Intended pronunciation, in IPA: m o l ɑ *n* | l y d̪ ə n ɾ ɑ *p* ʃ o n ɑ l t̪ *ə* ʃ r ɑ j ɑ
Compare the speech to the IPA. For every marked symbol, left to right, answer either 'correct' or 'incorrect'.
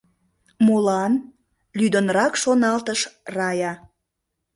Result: correct, incorrect, correct

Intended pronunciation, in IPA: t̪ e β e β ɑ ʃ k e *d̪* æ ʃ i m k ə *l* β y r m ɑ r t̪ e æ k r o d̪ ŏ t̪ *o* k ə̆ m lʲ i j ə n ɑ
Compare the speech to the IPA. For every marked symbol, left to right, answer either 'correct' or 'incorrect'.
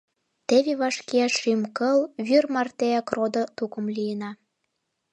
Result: incorrect, correct, incorrect

